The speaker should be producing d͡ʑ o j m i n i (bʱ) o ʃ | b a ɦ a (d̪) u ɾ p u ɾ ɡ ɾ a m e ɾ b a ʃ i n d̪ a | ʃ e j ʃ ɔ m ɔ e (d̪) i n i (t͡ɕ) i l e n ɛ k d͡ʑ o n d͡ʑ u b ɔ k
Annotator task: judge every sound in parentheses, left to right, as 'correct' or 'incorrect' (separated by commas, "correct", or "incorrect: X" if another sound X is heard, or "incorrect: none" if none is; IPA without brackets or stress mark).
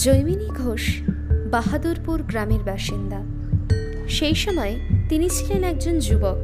incorrect: ɡʱ, correct, incorrect: t̪, incorrect: t͡ɕʰ